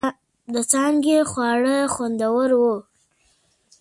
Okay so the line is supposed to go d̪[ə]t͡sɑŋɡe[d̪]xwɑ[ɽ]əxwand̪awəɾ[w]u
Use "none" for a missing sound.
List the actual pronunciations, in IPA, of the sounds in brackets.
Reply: ə, none, ɽ, w

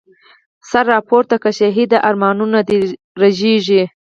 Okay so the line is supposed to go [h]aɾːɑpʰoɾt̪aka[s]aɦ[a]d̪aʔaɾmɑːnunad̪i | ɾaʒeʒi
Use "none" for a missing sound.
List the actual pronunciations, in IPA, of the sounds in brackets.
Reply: s, ʃ, i

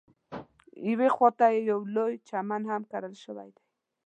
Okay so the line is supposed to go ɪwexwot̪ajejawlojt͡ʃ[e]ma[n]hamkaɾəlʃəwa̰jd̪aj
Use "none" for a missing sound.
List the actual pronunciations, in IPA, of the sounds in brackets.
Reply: a, n

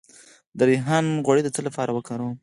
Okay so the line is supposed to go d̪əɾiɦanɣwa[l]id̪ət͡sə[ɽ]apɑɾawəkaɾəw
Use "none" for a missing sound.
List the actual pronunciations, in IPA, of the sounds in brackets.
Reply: ɽ, l

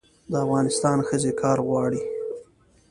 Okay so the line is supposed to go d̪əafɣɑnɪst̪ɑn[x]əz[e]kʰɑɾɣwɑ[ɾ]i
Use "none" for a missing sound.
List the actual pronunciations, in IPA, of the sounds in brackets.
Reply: x, e, ɽ

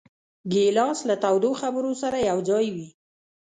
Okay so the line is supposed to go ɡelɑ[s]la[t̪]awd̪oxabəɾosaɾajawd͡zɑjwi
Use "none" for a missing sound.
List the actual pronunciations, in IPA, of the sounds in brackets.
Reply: s, t̪

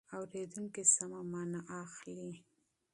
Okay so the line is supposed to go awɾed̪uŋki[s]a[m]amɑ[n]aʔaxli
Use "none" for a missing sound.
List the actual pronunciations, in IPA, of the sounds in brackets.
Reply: s, m, n

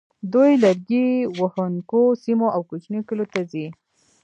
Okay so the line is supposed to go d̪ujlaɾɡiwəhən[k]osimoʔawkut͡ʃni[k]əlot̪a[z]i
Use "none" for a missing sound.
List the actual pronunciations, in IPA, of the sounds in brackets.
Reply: k, k, z

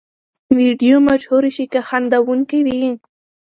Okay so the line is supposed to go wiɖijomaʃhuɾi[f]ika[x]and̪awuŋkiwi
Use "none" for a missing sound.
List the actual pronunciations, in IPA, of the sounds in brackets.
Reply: ʃ, x

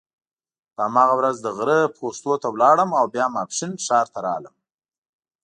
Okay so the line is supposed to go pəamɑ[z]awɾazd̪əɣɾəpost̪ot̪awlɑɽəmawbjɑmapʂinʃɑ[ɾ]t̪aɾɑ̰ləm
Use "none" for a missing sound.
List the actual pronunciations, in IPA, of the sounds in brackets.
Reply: ɣ, ɾ

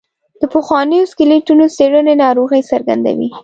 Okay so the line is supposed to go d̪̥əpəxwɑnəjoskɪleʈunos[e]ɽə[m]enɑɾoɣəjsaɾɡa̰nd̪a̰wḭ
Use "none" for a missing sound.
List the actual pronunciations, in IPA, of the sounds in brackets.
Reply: e, n

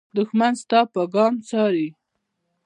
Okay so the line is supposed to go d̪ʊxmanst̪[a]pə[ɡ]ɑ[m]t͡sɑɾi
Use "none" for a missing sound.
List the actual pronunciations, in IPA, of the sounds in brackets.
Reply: ɑ, ɡ, m

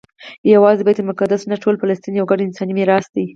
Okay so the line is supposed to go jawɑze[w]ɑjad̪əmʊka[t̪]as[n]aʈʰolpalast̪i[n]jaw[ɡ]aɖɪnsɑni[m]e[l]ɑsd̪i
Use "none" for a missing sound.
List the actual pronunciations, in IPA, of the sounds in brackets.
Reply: b, d̪, n, n, ɡ, m, ɾ

